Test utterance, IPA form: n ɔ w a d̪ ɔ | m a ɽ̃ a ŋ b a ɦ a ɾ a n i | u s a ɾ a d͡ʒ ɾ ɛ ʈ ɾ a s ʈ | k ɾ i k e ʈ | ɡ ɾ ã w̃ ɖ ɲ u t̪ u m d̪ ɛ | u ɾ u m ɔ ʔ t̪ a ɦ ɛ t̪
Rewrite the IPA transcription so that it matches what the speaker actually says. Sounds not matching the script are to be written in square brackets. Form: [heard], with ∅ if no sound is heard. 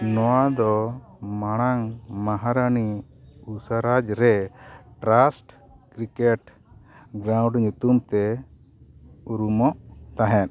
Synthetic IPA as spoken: n ɔ w a d̪ ɔ | m a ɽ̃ a ŋ [m] a ɦ a ɾ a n i | u s a ɾ a d͡ʒ ɾ ɛ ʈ ɾ a s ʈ | k ɾ i k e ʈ | ɡ ɾ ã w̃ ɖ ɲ u t̪ u m [t̪] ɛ | u ɾ u m ɔ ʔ t̪ a ɦ ɛ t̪